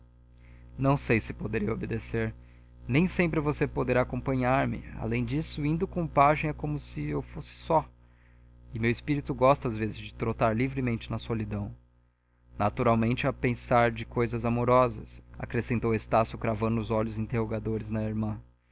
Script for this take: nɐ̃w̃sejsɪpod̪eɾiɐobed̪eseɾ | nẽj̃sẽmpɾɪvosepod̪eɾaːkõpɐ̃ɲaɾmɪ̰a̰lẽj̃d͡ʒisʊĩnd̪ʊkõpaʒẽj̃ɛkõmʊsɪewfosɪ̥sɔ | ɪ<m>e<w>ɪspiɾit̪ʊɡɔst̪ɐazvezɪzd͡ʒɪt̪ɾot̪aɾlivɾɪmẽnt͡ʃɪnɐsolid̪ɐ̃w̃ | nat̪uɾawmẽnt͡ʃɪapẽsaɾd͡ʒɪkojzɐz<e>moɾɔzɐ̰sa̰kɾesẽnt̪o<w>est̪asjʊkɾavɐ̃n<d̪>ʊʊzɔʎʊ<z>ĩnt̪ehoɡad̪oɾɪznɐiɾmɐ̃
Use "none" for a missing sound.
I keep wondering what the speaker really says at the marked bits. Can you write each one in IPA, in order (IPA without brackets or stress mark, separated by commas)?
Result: m, w, a, w, d̪, z